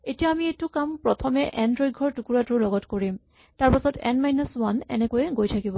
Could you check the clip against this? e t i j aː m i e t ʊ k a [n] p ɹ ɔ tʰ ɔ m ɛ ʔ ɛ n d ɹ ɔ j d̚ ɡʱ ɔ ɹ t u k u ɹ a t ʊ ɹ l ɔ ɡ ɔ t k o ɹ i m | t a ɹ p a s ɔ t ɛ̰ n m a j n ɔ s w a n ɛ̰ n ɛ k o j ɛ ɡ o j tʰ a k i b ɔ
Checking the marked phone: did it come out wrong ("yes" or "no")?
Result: yes